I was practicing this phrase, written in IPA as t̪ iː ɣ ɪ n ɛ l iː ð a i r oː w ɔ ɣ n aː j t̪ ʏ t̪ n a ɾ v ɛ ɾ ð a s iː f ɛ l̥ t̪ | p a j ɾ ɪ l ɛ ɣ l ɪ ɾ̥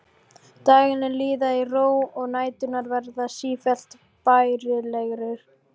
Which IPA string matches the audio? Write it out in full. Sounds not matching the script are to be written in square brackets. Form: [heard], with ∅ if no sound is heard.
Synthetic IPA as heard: t̪ [aː] ɣ ɪ n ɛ l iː ð a i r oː w ɔ ɣ n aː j t̪ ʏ [∅] n a ɾ v ɛ ɾ ð a s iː f ɛ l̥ t̪ | p a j ɾ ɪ l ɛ ɣ [ɾ] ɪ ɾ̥